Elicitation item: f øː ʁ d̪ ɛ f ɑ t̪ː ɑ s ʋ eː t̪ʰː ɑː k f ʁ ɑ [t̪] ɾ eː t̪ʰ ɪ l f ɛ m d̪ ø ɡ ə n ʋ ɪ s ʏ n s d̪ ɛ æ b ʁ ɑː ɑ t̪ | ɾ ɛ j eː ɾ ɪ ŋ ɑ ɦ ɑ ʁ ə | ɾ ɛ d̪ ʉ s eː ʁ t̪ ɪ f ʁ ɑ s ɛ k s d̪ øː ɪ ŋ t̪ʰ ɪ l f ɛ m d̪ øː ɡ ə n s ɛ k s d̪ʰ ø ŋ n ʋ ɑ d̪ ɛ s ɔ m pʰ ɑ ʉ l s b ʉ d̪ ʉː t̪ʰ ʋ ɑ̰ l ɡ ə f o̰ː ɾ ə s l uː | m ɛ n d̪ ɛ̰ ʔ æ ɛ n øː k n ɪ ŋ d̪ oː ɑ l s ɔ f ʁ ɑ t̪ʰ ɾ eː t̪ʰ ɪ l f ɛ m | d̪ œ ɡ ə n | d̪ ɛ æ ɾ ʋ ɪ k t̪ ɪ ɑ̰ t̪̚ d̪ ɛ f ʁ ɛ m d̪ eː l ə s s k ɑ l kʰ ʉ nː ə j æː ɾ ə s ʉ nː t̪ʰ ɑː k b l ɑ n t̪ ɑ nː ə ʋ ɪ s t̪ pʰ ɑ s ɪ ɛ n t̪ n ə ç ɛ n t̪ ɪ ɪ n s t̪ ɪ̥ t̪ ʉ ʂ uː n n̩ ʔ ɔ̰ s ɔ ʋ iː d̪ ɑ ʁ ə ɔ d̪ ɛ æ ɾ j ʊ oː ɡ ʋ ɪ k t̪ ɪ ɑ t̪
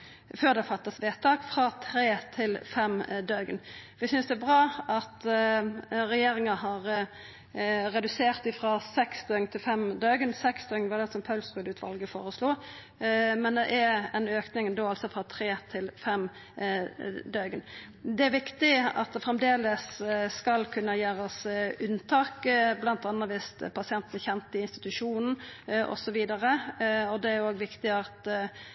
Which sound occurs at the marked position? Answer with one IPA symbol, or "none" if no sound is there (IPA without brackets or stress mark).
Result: t̪ʰ